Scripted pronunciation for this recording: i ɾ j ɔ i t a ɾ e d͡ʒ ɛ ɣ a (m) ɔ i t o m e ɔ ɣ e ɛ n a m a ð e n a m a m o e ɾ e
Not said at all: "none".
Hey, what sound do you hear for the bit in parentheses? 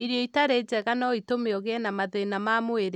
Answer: n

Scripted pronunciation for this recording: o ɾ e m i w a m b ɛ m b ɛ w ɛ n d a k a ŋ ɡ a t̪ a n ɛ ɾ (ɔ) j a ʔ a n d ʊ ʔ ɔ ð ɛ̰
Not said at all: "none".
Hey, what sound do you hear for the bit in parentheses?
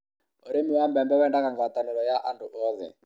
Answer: ɔ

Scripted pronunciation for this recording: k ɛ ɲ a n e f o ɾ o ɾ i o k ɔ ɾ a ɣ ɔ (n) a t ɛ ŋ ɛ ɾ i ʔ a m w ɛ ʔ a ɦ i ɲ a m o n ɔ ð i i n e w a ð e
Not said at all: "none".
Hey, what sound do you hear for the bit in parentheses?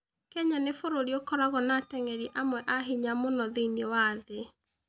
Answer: n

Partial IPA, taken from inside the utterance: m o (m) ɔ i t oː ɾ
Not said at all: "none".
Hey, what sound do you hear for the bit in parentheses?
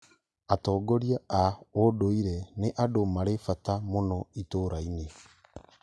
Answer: n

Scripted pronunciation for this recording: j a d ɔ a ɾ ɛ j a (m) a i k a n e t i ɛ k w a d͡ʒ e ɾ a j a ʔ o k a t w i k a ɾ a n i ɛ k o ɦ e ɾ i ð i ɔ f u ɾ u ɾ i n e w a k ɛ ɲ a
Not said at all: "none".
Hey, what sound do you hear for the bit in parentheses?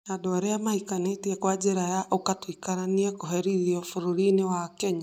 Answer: m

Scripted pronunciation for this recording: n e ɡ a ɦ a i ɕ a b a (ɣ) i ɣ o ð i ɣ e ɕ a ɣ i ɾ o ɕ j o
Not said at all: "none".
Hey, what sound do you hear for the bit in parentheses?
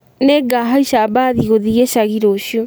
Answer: ð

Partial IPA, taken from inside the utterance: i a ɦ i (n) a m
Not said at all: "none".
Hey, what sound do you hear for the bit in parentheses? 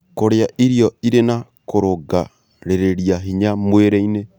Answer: ɲ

